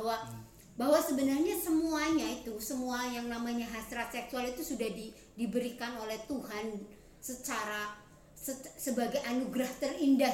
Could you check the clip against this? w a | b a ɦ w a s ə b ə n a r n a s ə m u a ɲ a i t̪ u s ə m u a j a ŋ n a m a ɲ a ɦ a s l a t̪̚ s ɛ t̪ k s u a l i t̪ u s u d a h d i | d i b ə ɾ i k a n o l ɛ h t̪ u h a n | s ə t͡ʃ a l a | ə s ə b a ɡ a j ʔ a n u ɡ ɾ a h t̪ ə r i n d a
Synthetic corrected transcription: w a | b a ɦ w a s ə b ə n a r ɲ a s ə m u a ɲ a i t̪ u s ə m u a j a ŋ n a m a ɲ a ɦ a s ɾ a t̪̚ s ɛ k s u a l i t̪ u s u d a h d i | d i b ə ɾ i k a n o l ɛ h t̪ u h a n | s ə t͡ʃ a ɾ a | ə s ə b a ɡ a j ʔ a n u ɡ ɾ a h t̪ ə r i n d a